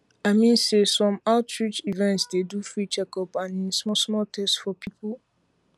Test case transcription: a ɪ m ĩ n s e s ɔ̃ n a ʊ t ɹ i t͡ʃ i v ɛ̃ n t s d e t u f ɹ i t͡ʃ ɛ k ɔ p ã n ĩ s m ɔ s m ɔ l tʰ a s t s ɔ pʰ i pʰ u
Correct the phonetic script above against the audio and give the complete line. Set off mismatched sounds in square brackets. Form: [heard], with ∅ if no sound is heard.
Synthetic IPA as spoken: a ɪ m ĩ n s e s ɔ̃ [m] a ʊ t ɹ i t͡ʃ i v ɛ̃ n t s d e [d] u f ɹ i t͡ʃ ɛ k ɔ p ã n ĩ s m ɔ s m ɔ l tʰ [ɛ] s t [f] ɔ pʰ i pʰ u